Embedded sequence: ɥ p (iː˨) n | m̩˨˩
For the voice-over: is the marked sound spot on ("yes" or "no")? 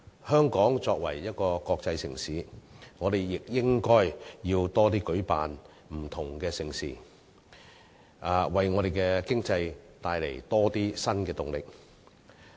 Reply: no